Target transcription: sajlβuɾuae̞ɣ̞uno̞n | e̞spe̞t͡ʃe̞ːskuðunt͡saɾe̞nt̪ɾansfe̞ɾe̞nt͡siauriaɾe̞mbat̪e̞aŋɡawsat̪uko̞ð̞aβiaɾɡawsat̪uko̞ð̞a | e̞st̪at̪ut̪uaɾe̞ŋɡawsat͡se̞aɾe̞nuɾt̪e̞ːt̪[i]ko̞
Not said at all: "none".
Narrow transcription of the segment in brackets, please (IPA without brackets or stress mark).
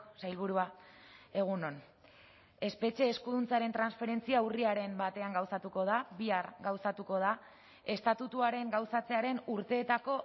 a